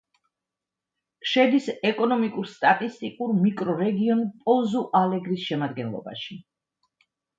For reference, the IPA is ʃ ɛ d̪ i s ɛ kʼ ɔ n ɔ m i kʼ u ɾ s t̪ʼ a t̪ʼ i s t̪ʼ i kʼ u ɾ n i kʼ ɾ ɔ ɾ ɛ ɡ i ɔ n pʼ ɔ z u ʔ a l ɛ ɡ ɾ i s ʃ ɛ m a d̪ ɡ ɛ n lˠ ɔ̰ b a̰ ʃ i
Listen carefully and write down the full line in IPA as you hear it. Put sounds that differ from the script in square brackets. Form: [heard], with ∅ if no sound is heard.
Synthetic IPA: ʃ ɛ d̪ i s ɛ kʼ ɔ n ɔ m i kʼ u ɾ s t̪ʼ a t̪ʼ i s t̪ʼ i kʼ u ɾ [m] i kʼ ɾ ɔ ɾ ɛ ɡ i ɔ n pʼ ɔ z u ʔ a l ɛ ɡ ɾ i s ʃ ɛ m a d̪ ɡ ɛ n lˠ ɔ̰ b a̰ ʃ i